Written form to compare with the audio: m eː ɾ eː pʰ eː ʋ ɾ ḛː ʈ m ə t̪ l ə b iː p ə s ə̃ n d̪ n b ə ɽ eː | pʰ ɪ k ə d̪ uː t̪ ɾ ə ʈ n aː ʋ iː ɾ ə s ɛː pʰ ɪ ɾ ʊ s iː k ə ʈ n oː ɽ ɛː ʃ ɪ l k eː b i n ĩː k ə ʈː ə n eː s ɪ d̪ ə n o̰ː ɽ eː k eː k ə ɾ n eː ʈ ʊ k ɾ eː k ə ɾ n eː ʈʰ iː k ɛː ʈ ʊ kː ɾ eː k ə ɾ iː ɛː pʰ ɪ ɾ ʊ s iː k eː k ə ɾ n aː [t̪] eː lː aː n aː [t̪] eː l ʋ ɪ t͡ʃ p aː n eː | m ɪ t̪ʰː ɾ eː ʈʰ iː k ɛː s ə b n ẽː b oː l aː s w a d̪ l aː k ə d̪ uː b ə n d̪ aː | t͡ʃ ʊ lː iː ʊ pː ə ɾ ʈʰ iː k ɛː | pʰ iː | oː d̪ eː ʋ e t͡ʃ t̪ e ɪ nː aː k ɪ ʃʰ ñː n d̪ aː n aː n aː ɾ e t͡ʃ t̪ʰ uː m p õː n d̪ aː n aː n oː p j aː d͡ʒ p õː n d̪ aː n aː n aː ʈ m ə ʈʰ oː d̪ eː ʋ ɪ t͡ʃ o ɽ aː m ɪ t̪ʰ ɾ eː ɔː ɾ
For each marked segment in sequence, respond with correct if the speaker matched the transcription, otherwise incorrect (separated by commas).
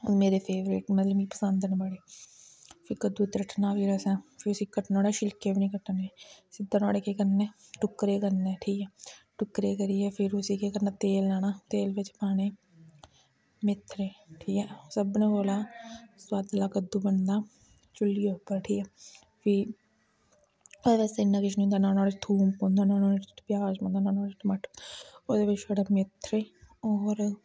correct, correct